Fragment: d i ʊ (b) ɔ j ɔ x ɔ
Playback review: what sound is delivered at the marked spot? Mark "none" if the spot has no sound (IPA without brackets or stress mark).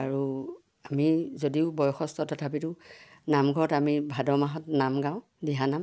b